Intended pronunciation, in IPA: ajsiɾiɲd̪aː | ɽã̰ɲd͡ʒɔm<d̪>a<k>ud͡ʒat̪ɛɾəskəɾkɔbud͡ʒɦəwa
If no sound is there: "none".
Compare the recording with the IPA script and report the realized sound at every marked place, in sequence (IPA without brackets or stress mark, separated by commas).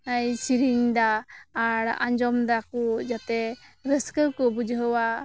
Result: d̪, k